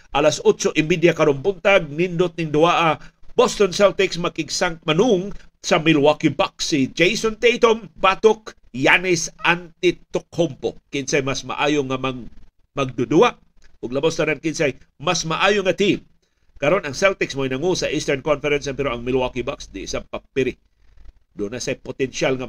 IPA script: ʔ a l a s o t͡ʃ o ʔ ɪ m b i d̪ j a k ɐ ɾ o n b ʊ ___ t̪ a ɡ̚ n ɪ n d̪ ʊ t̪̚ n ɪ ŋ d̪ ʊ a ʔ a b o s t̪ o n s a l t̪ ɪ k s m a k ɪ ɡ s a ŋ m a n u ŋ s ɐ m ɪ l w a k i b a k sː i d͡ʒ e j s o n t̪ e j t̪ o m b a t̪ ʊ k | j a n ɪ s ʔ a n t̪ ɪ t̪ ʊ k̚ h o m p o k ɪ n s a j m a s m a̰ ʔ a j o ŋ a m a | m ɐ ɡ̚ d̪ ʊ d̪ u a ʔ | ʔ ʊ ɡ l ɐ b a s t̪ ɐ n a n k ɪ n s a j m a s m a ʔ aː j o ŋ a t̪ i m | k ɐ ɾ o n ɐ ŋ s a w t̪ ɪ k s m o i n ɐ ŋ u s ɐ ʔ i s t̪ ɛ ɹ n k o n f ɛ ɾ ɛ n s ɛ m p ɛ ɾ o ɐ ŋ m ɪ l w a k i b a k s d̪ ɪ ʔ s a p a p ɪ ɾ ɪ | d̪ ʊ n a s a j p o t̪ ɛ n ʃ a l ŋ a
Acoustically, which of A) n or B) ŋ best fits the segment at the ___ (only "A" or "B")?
A